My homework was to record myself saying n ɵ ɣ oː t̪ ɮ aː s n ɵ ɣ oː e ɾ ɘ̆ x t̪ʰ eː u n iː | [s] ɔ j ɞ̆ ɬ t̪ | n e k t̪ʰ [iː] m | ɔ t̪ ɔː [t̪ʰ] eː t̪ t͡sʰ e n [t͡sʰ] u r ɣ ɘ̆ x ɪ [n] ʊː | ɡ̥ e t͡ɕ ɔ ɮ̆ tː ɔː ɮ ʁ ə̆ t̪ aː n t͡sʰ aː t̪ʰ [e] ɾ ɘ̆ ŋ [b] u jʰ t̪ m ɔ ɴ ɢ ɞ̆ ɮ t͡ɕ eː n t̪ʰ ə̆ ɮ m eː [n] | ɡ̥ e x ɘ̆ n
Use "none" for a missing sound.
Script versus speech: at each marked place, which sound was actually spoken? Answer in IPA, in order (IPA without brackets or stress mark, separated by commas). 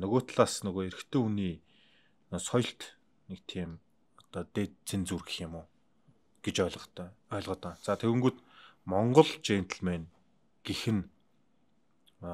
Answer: s, iː, t̪, t͡s, m, e, ɡ, n